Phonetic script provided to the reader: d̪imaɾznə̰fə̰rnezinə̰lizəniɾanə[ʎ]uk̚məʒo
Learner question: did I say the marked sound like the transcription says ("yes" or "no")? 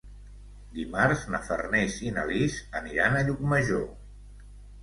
yes